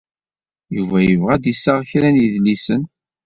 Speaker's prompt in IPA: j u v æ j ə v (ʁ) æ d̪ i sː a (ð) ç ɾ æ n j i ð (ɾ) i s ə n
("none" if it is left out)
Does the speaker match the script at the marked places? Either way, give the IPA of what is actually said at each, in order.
ʁ, ʁ, l

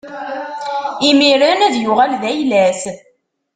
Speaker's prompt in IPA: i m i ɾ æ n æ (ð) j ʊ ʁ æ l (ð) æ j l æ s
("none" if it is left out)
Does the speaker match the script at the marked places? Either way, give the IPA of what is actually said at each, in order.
ð, ð

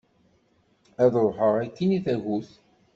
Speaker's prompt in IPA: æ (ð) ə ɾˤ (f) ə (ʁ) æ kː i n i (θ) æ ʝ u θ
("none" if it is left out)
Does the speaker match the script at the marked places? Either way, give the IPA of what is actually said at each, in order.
ð, ħ, ʁ, θ

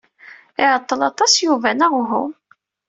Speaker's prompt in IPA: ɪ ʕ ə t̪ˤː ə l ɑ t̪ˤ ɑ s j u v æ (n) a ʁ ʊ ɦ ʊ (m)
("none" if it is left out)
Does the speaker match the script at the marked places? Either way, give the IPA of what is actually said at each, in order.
n, m

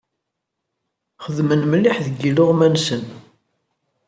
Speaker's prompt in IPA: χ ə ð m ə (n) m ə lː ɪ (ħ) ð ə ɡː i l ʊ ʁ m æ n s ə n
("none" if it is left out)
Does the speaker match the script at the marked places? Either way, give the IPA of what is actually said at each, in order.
n, ħ

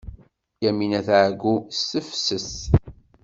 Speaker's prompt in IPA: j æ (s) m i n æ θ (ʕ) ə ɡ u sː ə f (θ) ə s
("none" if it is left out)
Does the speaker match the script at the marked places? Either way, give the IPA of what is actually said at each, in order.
none, ʕ, s

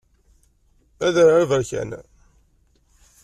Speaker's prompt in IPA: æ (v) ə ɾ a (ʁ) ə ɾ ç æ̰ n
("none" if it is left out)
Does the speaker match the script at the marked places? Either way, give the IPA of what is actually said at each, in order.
ð, v

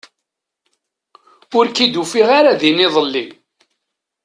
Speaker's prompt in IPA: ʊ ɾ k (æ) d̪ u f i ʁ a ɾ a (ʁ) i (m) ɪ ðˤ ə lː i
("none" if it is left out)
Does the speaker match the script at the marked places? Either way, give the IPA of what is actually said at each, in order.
i, ð, n

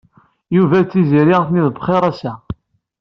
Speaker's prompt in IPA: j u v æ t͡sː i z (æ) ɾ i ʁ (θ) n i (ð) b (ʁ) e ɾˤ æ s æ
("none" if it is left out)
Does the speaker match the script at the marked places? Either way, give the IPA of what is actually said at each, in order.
i, θ, ð, χ

